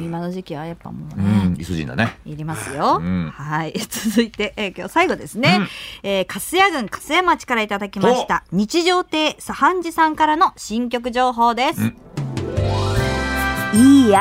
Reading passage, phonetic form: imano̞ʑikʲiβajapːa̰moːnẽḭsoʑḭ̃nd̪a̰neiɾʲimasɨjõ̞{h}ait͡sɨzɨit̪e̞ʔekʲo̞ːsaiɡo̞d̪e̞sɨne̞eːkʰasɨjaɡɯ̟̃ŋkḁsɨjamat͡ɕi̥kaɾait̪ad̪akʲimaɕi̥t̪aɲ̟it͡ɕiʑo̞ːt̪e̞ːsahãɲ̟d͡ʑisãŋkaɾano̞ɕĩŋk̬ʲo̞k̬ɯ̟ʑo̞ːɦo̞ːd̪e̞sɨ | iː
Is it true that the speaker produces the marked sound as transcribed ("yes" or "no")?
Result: yes